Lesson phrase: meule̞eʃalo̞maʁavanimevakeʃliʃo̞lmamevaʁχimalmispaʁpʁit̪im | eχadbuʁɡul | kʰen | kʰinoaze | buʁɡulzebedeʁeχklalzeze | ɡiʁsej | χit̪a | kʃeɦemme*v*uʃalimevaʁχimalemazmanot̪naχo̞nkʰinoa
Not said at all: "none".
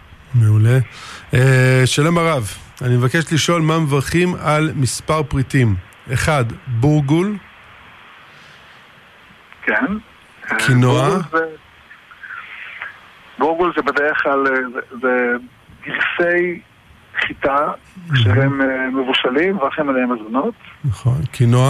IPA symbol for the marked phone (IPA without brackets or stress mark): v